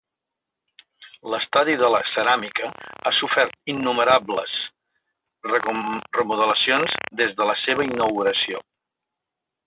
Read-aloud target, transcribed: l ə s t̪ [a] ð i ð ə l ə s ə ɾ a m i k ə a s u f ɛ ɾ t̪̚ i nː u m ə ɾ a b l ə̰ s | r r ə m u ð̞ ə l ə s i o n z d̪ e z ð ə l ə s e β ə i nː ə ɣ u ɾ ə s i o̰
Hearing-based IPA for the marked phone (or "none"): a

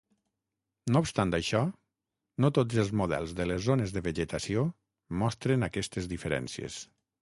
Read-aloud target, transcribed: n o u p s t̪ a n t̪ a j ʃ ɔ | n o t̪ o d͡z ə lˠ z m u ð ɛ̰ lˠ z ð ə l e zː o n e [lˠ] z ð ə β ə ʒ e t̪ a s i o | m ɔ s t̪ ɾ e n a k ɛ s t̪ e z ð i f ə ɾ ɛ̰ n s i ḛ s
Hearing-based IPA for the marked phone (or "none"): none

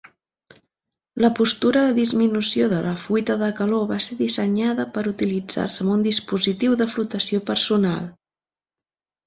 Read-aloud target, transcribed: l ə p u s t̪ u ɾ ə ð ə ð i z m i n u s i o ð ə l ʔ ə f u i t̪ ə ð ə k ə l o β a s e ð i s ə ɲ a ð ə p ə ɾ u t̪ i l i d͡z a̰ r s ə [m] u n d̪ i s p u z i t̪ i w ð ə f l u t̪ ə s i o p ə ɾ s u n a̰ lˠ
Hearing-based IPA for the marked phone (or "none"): m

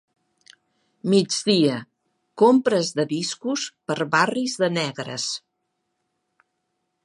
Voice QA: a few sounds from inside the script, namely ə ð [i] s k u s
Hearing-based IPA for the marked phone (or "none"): i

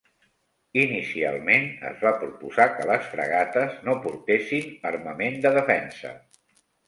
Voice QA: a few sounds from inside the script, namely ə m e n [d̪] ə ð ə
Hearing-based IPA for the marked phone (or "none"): d̪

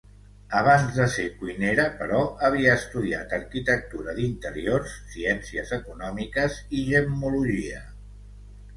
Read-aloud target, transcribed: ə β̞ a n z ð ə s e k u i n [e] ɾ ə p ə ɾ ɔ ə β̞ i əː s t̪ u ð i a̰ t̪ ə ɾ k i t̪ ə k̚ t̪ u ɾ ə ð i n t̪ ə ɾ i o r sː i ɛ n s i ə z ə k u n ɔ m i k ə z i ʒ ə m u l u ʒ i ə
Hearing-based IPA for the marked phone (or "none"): e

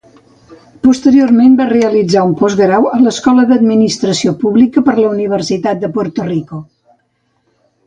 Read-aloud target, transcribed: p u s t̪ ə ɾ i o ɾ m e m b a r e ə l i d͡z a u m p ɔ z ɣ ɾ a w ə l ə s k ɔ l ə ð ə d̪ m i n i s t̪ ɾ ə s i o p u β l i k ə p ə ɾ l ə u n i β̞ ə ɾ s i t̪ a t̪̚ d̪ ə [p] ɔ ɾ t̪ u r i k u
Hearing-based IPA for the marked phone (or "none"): p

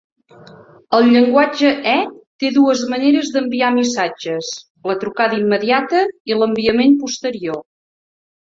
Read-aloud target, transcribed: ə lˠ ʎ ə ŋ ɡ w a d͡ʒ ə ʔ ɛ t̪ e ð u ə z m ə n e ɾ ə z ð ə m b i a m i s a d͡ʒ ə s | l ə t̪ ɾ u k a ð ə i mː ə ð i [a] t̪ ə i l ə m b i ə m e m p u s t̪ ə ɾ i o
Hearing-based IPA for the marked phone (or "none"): a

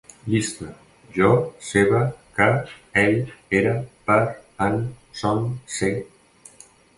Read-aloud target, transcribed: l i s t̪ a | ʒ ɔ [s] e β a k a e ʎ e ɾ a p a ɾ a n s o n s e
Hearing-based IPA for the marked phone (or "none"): s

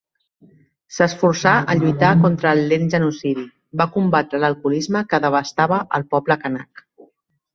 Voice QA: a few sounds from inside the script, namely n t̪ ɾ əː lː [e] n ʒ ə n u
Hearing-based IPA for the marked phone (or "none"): e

